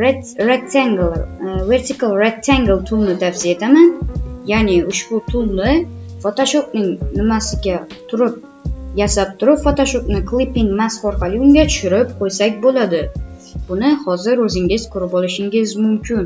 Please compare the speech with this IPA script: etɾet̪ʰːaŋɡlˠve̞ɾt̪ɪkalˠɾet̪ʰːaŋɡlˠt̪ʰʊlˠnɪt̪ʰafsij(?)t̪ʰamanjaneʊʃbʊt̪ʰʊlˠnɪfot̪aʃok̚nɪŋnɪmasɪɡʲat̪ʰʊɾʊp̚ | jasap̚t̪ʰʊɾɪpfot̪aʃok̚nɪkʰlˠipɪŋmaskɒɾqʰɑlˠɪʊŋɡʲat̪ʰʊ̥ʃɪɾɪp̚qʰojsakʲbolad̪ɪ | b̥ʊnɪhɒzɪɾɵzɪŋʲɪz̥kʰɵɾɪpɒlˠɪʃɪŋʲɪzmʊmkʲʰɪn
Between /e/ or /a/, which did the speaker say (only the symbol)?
e